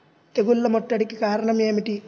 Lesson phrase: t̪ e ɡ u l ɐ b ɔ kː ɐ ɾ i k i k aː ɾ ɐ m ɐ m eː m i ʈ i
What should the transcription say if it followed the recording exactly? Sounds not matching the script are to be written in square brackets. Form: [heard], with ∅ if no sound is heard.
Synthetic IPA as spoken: t̪ e ɡ u [lː] ɐ [m] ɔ [ʈː] ɐ [ɽ] i k i k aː ɾ ɐ [ɳ] ɐ m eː m i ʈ i